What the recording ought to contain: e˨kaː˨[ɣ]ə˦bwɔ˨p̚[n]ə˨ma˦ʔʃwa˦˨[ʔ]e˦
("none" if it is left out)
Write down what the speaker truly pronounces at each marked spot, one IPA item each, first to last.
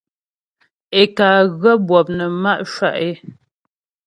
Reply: ɣ, n, ʔ

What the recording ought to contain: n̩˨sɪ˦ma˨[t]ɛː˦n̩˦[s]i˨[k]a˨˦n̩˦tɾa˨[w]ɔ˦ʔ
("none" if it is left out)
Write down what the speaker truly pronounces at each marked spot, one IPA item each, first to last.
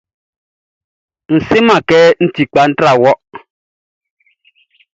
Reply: k, t, k͡p, w

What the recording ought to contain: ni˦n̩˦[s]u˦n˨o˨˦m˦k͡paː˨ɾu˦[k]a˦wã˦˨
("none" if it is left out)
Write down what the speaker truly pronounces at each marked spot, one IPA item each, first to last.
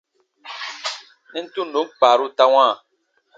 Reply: t, t

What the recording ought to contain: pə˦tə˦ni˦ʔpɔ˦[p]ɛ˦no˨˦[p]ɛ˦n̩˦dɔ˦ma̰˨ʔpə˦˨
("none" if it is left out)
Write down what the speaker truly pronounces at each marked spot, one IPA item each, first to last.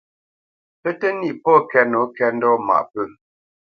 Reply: k, k

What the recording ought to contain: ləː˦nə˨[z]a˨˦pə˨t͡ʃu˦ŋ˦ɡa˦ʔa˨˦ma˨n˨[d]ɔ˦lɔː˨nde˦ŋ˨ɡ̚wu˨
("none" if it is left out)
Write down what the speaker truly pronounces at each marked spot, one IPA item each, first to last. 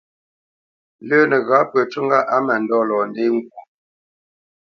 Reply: ɣ, d

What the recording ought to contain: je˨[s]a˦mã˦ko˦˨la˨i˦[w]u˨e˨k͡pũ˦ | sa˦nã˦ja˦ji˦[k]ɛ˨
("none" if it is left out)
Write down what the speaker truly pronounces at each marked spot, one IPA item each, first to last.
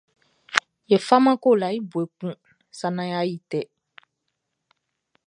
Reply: f, b, t

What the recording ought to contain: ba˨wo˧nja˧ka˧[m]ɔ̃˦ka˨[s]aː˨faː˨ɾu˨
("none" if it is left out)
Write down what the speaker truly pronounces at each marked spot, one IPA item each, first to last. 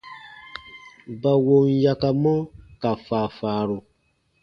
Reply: m, f

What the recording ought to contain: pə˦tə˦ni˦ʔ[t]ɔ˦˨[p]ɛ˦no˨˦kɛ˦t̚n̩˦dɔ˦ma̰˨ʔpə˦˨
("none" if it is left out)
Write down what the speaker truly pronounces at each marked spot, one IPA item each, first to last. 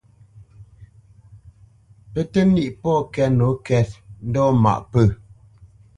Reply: p, k

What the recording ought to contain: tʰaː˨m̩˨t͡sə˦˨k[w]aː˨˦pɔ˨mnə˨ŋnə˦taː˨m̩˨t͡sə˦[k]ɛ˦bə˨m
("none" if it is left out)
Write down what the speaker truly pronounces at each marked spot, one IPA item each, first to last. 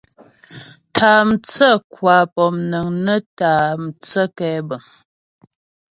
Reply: w, k

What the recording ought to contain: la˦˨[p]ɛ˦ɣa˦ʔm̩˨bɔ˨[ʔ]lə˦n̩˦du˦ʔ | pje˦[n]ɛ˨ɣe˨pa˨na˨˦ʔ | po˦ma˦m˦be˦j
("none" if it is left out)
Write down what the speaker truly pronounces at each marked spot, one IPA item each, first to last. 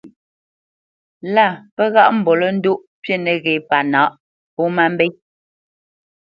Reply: p, none, n

